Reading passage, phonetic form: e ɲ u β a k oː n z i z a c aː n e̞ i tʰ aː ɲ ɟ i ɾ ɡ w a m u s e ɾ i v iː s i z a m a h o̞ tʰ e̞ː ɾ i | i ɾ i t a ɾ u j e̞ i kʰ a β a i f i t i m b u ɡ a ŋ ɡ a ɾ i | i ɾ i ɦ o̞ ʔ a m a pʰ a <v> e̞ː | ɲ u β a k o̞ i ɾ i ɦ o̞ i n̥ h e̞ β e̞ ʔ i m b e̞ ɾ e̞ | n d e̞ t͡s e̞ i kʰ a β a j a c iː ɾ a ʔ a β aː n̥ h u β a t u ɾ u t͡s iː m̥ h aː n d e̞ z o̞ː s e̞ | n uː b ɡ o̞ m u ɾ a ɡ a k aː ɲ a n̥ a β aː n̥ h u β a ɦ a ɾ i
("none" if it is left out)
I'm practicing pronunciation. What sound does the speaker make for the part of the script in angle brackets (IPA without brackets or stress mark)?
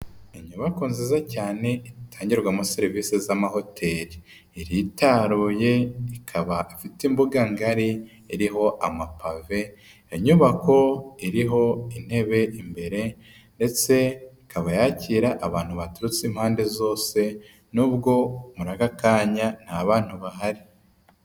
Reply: v